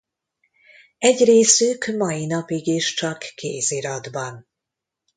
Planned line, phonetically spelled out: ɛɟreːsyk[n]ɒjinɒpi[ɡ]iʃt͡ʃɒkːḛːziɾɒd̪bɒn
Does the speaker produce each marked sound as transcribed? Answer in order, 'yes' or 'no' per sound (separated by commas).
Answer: no, yes